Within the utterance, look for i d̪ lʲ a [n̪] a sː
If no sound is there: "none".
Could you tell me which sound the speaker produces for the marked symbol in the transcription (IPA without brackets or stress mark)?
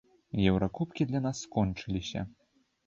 n̪